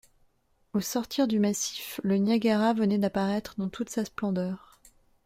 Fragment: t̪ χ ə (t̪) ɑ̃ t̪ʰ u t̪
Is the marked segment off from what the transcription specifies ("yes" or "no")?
yes